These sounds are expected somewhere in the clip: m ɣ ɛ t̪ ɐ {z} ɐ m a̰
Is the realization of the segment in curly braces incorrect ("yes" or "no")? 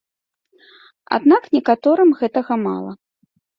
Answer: yes